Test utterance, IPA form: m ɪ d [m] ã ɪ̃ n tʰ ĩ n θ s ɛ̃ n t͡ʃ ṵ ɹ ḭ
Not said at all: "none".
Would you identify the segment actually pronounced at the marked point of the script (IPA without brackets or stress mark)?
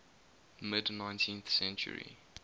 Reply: n